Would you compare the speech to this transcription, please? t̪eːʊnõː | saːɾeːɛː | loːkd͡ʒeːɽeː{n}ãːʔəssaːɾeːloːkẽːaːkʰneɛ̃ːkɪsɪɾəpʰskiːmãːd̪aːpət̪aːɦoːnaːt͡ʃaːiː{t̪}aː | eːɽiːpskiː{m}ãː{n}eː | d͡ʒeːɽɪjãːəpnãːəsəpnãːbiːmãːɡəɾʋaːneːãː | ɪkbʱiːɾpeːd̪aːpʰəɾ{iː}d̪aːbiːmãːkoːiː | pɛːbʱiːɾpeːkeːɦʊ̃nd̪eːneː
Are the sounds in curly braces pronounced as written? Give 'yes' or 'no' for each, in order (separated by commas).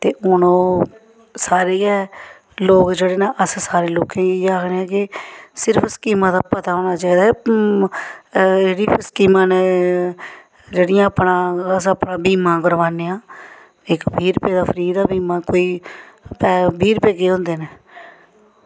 yes, no, yes, yes, yes